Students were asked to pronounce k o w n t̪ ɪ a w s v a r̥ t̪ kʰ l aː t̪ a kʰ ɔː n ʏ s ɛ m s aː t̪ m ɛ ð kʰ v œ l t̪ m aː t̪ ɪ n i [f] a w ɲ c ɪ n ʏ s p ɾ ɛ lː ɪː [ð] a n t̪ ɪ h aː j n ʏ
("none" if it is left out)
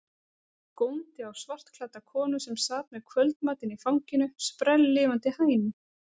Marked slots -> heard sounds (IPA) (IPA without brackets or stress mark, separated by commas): f, v